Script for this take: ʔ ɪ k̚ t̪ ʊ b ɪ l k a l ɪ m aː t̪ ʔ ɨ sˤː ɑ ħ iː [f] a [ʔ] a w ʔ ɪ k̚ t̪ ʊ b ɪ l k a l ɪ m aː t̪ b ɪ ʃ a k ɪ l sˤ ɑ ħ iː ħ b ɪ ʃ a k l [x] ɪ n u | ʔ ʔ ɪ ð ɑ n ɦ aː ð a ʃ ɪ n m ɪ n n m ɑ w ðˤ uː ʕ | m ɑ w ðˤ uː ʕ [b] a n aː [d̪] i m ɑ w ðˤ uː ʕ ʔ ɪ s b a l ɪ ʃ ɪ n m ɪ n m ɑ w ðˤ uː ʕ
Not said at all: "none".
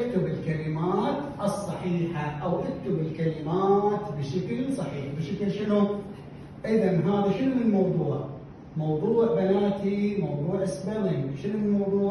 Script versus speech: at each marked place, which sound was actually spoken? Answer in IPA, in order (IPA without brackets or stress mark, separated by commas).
ħ, ʔ, ʃ, b, t̪